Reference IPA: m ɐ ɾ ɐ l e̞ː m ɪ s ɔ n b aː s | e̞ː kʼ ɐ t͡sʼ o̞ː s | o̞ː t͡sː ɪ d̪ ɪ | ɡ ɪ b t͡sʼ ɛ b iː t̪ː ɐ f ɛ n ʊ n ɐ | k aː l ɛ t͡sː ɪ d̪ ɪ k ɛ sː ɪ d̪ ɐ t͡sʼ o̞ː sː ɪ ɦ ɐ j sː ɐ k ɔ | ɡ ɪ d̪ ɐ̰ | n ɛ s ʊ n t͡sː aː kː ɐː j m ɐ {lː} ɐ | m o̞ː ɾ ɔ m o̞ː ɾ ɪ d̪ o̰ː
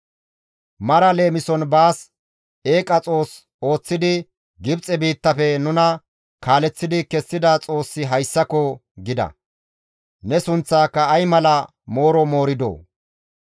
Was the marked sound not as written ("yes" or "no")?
yes